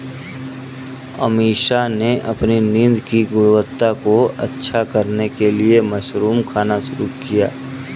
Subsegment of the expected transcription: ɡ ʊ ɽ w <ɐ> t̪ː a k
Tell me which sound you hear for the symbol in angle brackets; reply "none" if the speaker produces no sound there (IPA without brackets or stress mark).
ə